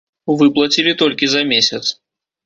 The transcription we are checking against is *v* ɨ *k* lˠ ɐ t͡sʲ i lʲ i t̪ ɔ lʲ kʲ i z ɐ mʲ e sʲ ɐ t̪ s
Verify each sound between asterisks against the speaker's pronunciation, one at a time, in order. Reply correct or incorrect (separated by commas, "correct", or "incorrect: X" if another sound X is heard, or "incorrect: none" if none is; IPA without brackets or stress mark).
correct, incorrect: p